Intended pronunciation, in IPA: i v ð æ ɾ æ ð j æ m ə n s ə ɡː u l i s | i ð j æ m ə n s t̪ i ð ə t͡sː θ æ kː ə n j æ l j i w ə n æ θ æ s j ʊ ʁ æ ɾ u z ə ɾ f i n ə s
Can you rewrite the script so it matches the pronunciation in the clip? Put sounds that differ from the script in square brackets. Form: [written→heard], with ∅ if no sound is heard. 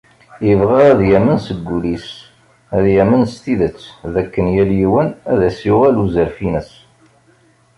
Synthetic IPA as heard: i v [ð→ʁ] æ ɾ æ ð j æ m ə n s ə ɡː u l i s | [i→æ] ð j æ m ə n s t̪ i ð ə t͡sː [θ→ð] æ kː ə n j æ l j i w ə n æ [θ→ð] æ s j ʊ ʁ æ [ɾ→l] u z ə ɾ f i n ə s